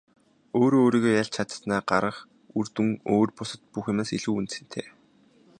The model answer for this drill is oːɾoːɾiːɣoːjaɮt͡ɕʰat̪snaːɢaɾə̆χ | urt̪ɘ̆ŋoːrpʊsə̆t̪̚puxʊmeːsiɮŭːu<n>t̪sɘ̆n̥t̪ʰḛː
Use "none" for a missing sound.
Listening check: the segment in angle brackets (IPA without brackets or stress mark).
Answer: n